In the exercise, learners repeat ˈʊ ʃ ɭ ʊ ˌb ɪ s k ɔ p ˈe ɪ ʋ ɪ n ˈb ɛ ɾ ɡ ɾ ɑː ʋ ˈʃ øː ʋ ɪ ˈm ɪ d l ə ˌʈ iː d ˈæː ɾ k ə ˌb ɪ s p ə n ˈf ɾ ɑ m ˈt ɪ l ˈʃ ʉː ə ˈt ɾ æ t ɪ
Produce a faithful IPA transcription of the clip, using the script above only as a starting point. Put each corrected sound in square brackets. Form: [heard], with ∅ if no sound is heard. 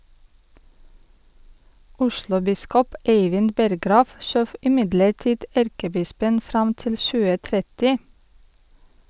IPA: ˈʊ ʃ [l] ʊ ˌb ɪ s k ɔ p ˈe ɪ ʋ ɪ n ˈb ɛ ɾ ɡ ɾ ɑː ʋ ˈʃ øː ʋ ɪ ˈm ɪ d l ə ˌʈ iː d [ˈæ] ɾ k ə ˌb ɪ s p ə n ˈf ɾ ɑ m ˈt ɪ l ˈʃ ʉː ə ˈt ɾ [ɛ] t ɪ